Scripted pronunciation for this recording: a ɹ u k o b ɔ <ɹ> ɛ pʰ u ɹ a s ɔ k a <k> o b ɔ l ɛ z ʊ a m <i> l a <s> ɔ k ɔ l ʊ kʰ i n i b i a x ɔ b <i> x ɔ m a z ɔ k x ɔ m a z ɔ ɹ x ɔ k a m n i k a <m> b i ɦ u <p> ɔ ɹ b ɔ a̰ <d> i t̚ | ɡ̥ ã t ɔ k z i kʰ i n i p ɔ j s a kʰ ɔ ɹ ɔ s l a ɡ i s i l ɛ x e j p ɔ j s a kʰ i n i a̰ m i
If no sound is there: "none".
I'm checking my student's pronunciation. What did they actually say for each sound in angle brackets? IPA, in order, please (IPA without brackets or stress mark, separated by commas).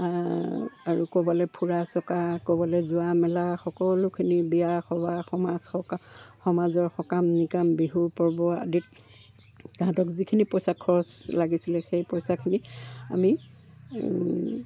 l, k, ɛ, x, a, m, p, d